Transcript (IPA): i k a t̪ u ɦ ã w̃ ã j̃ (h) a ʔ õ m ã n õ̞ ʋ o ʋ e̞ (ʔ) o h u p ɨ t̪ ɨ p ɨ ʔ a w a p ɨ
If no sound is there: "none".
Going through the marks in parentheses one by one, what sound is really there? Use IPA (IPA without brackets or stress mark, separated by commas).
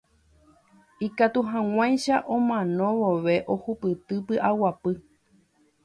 ʃ, ʔ